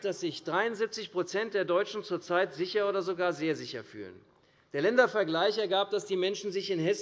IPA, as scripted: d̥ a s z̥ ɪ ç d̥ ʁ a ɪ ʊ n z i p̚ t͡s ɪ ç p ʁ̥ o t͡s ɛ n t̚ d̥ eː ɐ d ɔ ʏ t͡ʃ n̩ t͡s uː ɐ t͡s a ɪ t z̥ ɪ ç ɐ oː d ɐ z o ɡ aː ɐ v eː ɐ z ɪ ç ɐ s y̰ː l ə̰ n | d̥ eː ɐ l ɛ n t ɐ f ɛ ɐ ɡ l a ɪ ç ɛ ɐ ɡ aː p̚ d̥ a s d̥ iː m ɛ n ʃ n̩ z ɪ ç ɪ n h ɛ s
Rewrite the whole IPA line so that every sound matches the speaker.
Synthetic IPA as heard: d̥ a s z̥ ɪ ç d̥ ʁ a ɪ ʊ n z i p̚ t͡s ɪ ç p ʁ̥ o t͡s ɛ n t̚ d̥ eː ɐ d ɔ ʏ t͡ʃ n̩ t͡s uː ɐ t͡s a ɪ t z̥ ɪ ç ɐ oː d ɐ z o ɡ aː ɐ z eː ɐ z ɪ ç ɐ f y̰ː l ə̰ n | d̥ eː ɐ l ɛ n d ɐ f ɛ ɐ ɡ l a ɪ ç ɛ ɐ ɡ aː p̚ d̥ a s d̥ iː m ɛ n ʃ n̩ z ɪ ç ɪ n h ɛ s